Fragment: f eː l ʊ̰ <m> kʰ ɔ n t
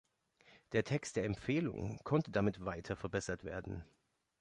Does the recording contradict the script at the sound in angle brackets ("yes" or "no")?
yes